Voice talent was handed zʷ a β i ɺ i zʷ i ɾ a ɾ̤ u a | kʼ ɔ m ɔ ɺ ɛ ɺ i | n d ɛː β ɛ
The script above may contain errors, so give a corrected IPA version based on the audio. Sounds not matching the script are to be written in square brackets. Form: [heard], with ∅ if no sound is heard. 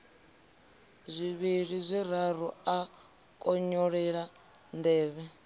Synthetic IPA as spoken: zʷ [i] β i ɺ i zʷ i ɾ a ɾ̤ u a | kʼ ɔ [ɲ] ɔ ɺ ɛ ɺ [a] | n d ɛː β ɛ